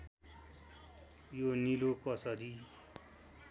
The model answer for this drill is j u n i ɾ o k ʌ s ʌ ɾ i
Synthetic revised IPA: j o n i l o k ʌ s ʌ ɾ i

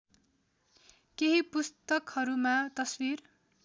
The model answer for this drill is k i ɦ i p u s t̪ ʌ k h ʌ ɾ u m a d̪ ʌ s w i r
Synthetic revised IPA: k e ɦ i p u s t̪ ʌ k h ʌ ɾ u m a t̪ ʌ s w i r

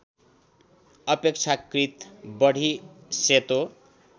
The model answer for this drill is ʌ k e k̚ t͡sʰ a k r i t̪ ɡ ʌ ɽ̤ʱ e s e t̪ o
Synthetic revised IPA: ʌ p e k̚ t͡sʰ a k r i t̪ b ʌ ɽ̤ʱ i s e t̪ o

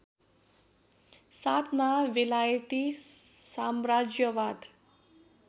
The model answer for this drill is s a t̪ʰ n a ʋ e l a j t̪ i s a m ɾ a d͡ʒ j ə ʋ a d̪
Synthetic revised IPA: s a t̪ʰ m a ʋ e l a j t̪ i s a m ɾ a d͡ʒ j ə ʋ a d̪

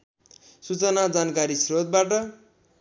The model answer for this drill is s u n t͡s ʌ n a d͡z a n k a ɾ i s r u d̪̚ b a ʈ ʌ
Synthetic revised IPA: s u t͡s ʌ n a d͡z a n k a ɾ i s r o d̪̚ b a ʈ ʌ

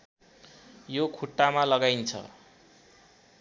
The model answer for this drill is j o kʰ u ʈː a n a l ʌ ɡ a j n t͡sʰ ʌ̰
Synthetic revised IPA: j o kʰ u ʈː a m a l ʌ ɡ a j n t͡sʰ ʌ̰

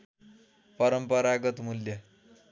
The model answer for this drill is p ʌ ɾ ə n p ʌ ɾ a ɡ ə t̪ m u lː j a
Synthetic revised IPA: p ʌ ɾ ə m p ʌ ɾ a ɡ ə t̪ m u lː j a

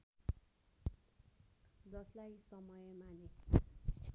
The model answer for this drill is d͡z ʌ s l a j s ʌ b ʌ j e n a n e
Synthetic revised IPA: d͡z ʌ s l a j s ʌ m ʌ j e m a n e

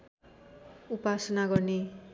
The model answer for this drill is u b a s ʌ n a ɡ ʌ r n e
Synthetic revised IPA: u p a s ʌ n a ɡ ʌ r n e

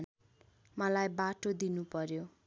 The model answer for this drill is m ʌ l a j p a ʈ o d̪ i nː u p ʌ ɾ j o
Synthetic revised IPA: m ʌ l a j b a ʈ o d̪ i n u p ʌ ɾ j o

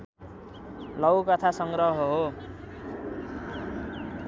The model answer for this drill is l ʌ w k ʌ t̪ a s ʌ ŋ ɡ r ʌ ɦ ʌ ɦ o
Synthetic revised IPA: l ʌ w k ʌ t̪ʰ a s ʌ ŋ ɡ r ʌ ɦ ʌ ɦ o

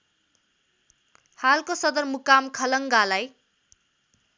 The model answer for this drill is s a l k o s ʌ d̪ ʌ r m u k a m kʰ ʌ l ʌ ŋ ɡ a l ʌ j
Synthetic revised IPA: h a l k o s ʌ d̪ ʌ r m u k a m kʰ ʌ l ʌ ŋ ɡ a l a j

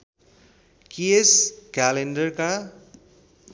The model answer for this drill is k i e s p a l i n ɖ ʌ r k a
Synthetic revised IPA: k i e s k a l e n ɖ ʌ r k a

